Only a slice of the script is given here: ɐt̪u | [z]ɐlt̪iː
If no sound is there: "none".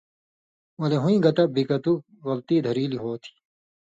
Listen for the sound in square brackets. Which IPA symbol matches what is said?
ɣ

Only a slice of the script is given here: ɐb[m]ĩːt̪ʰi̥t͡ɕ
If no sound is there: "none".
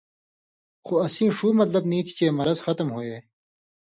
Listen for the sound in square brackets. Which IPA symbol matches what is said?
n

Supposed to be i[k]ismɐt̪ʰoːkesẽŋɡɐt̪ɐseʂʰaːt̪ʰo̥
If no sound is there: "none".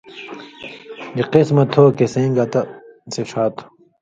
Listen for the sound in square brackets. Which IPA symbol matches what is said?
q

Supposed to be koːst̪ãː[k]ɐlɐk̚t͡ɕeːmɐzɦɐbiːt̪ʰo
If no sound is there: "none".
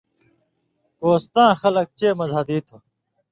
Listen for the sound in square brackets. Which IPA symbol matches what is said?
x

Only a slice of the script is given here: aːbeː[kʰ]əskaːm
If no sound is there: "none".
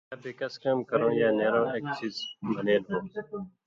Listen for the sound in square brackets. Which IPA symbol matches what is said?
k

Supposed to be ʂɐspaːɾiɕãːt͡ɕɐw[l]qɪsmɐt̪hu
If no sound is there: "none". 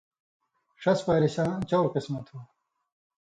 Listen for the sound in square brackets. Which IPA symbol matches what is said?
ɾ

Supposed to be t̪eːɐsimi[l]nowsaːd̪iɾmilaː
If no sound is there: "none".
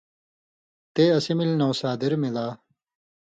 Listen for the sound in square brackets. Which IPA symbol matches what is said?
l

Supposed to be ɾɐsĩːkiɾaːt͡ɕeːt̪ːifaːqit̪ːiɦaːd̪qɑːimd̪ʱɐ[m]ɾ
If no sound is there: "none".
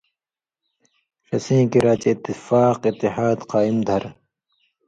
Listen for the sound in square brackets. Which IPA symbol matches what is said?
none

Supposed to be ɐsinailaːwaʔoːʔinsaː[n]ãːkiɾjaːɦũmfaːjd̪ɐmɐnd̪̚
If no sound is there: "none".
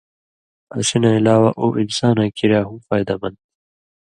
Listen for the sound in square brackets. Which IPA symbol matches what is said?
n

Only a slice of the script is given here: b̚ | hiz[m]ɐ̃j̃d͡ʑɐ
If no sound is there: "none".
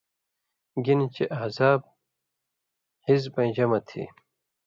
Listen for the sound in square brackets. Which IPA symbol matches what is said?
b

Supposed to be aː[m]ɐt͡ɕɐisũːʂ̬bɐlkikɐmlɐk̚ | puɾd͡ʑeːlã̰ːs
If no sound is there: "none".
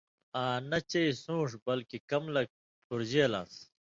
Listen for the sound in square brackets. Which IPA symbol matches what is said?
n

